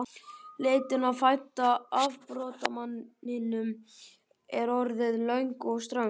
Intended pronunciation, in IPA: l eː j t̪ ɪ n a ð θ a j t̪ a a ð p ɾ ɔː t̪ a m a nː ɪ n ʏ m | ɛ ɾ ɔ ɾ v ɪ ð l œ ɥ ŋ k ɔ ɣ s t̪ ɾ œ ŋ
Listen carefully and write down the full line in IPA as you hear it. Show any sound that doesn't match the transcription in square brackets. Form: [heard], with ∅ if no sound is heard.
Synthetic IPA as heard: l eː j t̪ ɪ n a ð [f] a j t̪ a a [v] p ɾ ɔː t̪ a m a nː ɪ n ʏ m | ɛ ɾ ɔ ɾ [ð] ɪ ð l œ ɥ ŋ k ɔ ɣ s t̪ ɾ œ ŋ